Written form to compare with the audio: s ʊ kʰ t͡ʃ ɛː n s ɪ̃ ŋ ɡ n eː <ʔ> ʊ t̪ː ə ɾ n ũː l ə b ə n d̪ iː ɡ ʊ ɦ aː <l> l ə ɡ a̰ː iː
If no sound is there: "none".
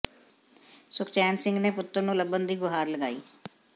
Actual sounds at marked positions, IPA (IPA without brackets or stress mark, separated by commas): p, ɾ